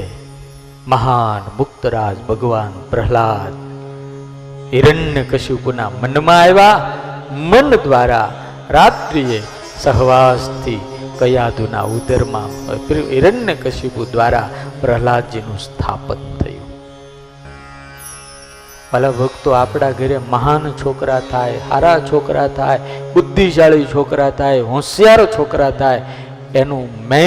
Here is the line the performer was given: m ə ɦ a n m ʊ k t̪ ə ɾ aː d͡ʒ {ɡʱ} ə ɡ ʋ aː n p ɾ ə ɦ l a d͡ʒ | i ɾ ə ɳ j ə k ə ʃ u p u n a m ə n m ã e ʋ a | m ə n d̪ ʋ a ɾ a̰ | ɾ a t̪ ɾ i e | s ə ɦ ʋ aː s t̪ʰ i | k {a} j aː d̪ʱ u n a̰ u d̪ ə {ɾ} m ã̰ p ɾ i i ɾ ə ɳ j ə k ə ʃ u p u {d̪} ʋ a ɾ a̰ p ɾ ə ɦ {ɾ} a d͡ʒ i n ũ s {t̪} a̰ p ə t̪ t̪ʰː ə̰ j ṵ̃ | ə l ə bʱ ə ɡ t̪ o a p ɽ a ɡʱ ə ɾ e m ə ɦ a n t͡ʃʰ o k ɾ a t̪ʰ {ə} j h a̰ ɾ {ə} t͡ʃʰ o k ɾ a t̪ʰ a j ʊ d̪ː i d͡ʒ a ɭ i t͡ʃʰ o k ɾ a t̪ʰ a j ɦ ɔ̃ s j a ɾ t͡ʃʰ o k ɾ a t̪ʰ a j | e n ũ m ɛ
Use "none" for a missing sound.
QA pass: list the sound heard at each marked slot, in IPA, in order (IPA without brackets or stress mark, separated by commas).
bʱ, ə, ɾ, d̪, l, t̪ʰ, a, a